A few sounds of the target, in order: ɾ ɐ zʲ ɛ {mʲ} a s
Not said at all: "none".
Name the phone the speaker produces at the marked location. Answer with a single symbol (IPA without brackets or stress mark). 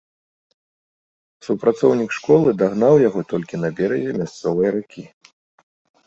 mʲ